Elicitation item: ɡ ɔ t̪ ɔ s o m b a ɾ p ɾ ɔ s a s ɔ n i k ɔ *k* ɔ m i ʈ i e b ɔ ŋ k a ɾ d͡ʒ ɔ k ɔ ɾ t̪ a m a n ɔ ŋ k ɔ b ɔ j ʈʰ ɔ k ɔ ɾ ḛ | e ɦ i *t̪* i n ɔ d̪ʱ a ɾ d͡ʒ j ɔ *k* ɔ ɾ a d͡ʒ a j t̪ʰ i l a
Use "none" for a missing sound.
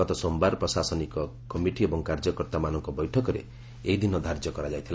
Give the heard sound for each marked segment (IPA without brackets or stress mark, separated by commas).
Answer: k, d̪, k